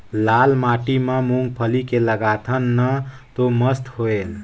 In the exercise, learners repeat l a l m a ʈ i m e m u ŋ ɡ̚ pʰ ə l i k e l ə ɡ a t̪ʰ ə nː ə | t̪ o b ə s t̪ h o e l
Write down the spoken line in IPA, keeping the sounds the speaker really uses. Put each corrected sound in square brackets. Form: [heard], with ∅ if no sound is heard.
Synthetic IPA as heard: l a l m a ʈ i m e m u ŋ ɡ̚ pʰ ə l i k e l ə ɡ a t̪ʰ ə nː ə | t̪ o [m] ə s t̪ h o e l